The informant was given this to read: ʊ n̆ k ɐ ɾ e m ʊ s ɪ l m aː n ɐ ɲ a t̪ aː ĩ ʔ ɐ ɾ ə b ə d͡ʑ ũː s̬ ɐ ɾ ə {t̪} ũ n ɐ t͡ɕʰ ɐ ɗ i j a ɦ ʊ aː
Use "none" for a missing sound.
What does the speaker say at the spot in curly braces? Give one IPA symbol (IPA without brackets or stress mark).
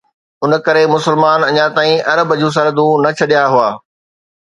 d̪